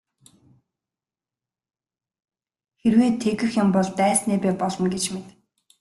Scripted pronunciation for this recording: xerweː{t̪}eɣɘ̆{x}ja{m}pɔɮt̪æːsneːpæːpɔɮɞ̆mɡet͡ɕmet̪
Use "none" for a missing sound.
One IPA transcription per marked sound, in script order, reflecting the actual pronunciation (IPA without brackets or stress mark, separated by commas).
t̪ʰ, x, m